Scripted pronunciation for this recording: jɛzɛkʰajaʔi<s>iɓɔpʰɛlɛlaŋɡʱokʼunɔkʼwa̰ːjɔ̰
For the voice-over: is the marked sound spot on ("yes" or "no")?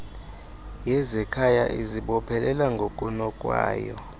no